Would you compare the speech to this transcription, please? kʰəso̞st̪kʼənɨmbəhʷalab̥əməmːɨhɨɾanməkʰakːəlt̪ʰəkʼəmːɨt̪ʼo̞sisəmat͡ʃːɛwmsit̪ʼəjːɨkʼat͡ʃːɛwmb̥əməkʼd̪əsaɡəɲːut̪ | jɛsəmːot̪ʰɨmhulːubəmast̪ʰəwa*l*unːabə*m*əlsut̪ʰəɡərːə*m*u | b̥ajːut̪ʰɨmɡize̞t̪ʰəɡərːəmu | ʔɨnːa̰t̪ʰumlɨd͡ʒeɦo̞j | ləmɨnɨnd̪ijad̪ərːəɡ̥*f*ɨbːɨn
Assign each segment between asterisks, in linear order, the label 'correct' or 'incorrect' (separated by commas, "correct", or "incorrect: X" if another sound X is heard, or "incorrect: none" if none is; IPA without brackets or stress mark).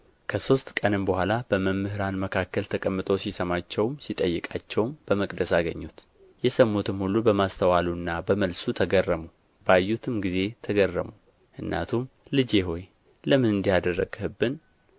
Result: correct, correct, correct, incorrect: h